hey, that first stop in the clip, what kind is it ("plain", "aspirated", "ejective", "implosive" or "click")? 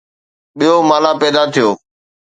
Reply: implosive